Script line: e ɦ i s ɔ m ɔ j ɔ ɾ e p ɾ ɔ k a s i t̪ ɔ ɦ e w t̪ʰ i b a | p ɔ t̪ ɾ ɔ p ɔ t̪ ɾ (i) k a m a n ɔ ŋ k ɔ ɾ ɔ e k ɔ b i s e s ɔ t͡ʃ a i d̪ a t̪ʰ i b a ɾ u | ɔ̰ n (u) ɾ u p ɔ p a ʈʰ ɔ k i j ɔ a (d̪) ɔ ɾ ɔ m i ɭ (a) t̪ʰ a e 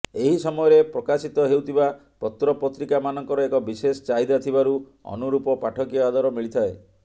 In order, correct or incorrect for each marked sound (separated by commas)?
correct, correct, correct, incorrect